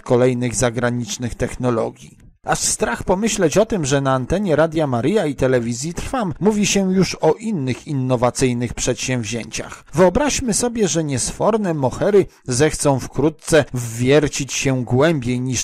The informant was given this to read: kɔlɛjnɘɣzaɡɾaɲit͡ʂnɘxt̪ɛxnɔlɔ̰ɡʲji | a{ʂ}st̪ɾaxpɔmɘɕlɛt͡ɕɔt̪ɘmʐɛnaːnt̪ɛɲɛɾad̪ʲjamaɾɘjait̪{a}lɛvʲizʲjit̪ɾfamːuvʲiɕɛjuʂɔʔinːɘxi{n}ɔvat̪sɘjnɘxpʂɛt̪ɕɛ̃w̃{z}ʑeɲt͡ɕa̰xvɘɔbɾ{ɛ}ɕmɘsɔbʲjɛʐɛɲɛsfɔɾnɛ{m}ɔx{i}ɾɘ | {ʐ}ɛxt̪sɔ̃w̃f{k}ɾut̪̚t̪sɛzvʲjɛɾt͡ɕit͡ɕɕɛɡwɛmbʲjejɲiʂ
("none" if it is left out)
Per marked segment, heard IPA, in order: ʂ, ɛ, nː, v, a, m, ɛ, z, k

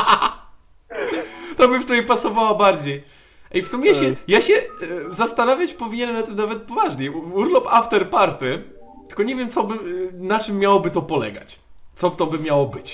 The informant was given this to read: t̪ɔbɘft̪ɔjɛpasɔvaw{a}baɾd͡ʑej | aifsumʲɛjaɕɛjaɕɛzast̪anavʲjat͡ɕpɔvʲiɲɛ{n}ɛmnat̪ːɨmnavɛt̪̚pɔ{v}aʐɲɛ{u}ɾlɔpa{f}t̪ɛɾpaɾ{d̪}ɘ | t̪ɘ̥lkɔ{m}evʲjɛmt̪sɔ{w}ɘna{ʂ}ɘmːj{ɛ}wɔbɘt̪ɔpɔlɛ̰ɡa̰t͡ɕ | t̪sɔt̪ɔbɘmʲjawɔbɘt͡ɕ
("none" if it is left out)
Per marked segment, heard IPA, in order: a, n, v, u, f, t̪, ɲ, b, t͡ʂ, a

